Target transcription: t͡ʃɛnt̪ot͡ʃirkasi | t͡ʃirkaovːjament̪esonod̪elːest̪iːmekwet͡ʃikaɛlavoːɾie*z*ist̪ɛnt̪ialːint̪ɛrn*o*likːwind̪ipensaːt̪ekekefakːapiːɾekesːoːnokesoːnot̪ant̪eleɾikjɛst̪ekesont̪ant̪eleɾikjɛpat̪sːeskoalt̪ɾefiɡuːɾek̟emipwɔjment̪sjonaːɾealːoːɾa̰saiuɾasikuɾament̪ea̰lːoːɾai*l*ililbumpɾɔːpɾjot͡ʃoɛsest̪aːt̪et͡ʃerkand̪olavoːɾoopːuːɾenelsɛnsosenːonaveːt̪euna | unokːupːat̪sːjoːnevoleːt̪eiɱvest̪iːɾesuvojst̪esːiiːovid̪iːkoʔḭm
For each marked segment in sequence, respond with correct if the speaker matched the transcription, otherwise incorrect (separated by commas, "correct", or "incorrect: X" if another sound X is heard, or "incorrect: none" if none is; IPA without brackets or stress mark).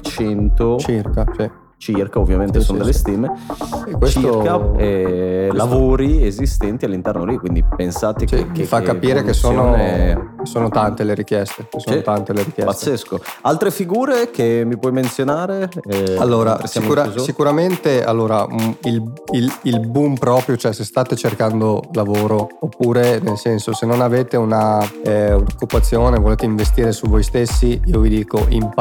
correct, correct, correct